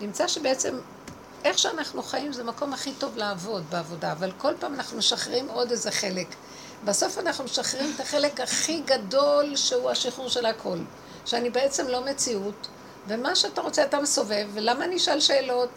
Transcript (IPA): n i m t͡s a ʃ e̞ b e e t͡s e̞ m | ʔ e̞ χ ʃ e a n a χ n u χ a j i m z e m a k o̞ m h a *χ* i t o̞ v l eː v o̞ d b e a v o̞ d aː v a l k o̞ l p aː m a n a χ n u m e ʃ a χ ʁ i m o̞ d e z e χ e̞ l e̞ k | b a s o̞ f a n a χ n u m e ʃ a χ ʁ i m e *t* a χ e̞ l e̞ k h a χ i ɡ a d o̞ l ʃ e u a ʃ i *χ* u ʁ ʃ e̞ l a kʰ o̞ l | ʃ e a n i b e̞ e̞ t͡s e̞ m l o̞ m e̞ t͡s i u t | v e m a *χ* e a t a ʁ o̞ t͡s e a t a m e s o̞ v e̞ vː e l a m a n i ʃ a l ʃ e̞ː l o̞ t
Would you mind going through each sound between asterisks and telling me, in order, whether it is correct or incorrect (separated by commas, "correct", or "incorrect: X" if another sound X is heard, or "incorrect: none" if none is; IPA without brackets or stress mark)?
correct, correct, correct, incorrect: ʃ